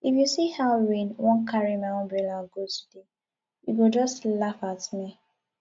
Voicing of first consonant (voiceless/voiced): voiceless